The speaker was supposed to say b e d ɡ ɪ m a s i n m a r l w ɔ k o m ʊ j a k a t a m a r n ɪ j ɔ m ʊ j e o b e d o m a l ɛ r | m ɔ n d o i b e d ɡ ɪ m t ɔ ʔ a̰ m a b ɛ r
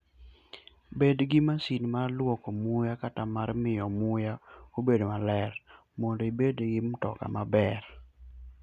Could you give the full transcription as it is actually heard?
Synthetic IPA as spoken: b e d ɡ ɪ m a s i n m a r l w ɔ k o m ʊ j a k a t a m a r m ɪ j ɔ m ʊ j a o b e d o m a l ɛ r | m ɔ n d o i b e d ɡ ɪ m t ɔ k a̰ m a b ɛ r